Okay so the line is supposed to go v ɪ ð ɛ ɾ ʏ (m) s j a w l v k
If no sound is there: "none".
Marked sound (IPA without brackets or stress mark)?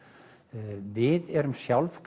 m